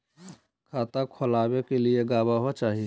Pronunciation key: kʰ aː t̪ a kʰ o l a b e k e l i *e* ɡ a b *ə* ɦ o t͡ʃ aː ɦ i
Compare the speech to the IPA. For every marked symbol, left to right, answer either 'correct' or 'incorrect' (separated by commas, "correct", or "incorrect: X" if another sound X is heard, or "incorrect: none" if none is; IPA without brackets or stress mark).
correct, incorrect: a